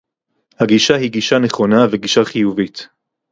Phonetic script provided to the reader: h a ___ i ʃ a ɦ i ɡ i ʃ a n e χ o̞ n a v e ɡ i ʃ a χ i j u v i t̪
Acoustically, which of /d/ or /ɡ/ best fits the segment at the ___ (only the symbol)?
ɡ